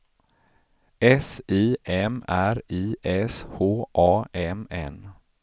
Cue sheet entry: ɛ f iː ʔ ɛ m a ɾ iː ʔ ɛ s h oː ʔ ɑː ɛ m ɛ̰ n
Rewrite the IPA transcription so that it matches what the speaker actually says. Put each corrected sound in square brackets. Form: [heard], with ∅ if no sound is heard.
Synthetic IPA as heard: ɛ [s] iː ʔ ɛ m [æ] ɾ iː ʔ ɛ s h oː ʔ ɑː ɛ m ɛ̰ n